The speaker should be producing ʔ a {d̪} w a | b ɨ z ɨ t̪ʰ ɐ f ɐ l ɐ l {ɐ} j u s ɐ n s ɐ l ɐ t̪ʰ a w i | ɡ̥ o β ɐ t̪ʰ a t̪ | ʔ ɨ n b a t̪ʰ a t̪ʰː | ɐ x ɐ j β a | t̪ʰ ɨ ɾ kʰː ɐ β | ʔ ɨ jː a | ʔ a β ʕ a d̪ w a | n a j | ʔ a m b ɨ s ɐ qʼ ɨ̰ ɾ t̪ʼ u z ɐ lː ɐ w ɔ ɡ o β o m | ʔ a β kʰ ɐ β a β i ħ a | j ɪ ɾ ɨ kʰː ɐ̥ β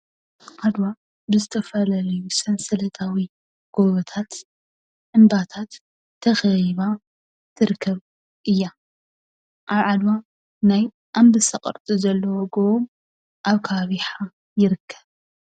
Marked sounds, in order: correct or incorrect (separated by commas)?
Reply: correct, correct